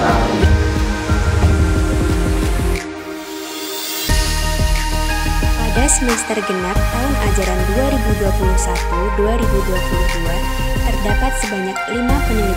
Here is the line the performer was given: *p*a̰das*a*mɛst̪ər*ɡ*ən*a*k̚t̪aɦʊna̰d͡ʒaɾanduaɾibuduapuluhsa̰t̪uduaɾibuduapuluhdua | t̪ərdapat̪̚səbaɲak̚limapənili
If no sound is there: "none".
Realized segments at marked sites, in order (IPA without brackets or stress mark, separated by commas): p, ə, ɡ, a